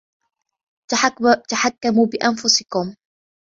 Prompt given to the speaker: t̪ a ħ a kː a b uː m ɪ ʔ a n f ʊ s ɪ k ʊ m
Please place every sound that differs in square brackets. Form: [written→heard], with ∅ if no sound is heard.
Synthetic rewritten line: t̪ a ħ a kː a [b→m] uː [m→b] ɪ ʔ a n f ʊ s ɪ k ʊ m

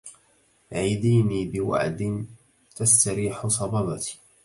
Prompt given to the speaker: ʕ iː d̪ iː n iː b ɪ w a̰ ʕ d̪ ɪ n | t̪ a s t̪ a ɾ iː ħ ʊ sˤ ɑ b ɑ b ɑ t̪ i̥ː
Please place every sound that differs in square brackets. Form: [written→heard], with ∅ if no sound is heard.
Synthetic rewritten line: ʕ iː d̪ iː n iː b ɪ w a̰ ʕ d̪ ɪ n | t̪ a s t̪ a ɾ iː ħ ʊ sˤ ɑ b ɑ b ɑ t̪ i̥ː

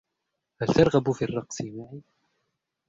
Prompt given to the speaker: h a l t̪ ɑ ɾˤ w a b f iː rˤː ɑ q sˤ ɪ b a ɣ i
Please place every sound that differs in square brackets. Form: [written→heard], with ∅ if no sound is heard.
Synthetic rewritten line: h a l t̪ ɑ ɾˤ [w→ɣ] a b f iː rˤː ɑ q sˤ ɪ [b→m] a [ɣ→ʕ] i

